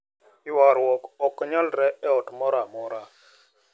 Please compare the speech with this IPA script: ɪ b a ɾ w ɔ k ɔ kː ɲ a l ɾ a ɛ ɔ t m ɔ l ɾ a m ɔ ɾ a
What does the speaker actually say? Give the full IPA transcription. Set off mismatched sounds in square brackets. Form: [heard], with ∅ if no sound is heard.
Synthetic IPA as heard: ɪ [w] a ɾ w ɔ k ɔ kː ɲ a l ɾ [ɛ] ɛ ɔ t m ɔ [∅] ɾ a m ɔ ɾ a